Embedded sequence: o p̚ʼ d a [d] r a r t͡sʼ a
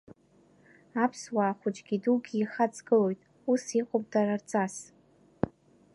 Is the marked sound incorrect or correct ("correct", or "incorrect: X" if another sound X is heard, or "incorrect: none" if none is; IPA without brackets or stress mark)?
incorrect: none